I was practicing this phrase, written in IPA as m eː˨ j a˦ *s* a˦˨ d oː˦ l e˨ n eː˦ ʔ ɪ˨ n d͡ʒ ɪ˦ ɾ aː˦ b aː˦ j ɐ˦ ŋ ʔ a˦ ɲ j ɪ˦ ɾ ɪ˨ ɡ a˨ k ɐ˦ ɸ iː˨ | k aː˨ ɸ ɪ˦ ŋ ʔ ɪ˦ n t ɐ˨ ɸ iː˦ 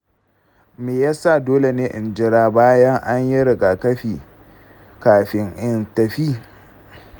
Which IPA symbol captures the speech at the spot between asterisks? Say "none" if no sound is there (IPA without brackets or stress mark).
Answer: s